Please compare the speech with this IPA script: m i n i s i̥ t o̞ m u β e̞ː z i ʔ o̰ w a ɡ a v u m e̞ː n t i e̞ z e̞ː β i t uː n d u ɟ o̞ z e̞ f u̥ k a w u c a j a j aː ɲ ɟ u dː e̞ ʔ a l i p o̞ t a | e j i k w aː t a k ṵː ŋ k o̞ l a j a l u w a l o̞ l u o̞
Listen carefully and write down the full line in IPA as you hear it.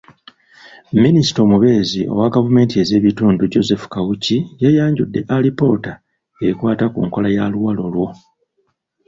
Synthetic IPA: m i n i s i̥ t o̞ m u β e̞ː z i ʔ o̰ w a ɡ a v u m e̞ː n t i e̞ z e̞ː β i t uː n d u ɟ o̞ z e̞ f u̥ k a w u c i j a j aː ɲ ɟ u dː e̞ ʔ a l i p o̞ t a | e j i k w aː t a k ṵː ŋ k o̞ l a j a l u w a l o̞ l w o̞